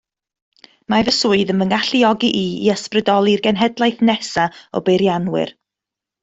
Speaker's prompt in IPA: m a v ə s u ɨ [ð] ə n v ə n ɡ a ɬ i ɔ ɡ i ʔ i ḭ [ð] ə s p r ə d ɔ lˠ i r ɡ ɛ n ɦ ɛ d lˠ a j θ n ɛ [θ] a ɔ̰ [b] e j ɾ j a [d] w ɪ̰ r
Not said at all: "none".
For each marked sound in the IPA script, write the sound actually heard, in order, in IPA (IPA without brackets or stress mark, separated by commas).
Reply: ð, none, s, b, n